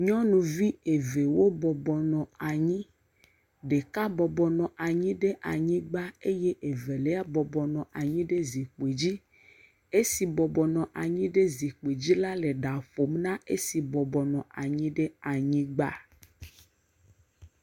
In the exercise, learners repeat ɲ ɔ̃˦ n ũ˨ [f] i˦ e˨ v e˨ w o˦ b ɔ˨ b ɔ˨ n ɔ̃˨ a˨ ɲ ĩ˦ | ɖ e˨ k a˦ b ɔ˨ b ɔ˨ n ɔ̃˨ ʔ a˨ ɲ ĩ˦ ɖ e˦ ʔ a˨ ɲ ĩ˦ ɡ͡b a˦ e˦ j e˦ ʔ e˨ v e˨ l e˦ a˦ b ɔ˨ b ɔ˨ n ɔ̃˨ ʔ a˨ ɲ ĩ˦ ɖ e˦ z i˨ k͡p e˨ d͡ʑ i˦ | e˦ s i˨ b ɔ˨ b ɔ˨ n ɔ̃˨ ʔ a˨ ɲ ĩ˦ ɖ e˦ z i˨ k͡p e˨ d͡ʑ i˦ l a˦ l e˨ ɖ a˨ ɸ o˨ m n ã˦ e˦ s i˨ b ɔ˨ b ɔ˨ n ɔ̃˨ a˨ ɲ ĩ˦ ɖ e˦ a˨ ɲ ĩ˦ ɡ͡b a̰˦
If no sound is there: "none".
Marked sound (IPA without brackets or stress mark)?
v